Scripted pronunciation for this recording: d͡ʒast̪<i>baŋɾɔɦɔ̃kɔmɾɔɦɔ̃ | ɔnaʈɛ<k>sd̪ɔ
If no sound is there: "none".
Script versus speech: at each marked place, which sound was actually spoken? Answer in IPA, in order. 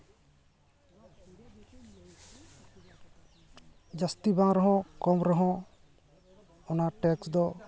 i, k

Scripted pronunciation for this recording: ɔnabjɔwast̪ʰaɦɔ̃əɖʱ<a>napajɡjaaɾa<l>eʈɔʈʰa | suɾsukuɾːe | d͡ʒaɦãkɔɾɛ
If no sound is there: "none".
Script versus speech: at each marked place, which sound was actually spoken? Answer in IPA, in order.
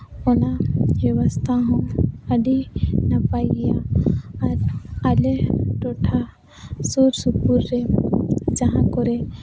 i, l

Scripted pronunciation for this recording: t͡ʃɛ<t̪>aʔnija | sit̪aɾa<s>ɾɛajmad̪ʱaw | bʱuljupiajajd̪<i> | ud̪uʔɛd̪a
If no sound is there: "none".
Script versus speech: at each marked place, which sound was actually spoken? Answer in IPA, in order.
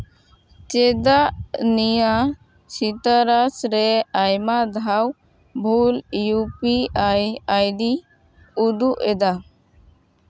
d̪, s, i

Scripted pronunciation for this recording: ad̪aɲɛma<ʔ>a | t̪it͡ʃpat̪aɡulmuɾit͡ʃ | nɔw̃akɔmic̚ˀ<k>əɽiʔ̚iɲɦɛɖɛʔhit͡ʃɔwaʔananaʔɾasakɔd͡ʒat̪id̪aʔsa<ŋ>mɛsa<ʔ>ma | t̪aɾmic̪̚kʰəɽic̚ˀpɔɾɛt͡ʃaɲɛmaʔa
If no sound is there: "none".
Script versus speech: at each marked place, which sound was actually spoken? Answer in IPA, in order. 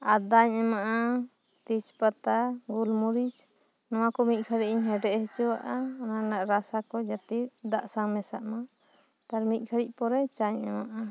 ʔ, kʰ, ŋ, ʔ

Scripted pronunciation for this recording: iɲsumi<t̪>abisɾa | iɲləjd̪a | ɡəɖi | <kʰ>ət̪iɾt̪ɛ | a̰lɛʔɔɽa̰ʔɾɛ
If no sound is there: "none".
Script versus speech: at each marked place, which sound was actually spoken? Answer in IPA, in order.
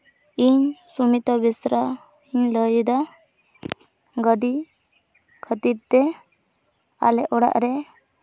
t̪, kʰ

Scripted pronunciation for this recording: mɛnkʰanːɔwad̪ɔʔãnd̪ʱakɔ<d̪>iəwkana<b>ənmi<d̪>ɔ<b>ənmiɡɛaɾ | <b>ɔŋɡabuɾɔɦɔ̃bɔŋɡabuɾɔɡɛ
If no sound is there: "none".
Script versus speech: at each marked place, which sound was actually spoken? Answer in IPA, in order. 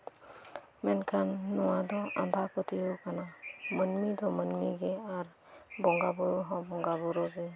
t̪, m, d̪, m, b

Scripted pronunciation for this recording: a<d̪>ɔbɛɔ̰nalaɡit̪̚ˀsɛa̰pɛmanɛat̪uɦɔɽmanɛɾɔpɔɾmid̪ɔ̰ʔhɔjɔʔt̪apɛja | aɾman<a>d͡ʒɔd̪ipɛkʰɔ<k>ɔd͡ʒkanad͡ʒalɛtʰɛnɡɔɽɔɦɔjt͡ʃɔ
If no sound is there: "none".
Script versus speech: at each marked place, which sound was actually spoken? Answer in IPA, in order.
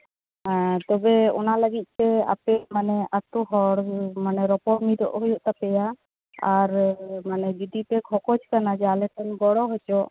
t̪, ɛ, k

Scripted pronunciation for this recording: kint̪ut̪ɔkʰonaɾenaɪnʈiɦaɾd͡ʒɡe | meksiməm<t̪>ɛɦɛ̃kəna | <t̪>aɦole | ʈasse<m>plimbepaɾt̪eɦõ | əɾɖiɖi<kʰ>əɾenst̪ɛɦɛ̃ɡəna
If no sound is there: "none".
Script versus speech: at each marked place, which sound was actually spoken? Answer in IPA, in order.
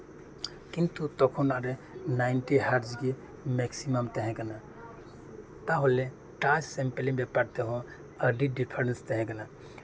t̪, t̪, m, pʰ

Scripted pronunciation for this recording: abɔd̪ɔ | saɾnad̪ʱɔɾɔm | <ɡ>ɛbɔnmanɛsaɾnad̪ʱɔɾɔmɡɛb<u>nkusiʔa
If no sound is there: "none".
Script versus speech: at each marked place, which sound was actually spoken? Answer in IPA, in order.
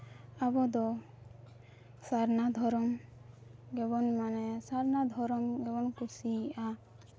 ɡ, ɔ

